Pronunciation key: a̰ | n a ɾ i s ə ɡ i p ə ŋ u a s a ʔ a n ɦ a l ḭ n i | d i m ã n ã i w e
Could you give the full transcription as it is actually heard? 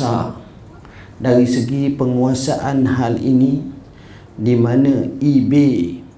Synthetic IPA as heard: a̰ | d a ɾ i s ə ɡ i p ə ŋ u a s a ʔ a n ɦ a l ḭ n i | d i m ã n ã i b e